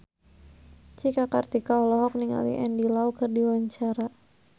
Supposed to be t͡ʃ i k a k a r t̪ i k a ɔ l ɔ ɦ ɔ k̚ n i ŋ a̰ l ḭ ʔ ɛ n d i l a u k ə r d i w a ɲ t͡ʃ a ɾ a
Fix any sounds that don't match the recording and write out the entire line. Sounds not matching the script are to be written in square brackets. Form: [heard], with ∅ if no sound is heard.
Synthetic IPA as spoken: t͡ʃ i k a k a r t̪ i k a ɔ l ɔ ɦ ɔ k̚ n i ŋ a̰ l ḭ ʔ ɛ n d i l a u k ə r d i w a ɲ t͡ʃ a ɾ a